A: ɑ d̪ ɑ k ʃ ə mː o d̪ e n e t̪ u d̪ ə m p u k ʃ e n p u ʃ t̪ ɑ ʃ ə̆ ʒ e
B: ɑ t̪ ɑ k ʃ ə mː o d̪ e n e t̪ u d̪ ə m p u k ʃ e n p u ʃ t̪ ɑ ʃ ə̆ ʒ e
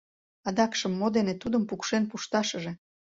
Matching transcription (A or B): A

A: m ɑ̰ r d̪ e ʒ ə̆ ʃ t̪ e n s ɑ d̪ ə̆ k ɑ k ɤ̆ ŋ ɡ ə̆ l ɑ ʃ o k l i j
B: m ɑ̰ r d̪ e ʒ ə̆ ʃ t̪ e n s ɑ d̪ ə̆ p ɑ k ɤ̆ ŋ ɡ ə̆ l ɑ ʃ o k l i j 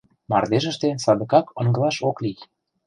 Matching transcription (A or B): A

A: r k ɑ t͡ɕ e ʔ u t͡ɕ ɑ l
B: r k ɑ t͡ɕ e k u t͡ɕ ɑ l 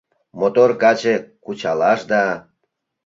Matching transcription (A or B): B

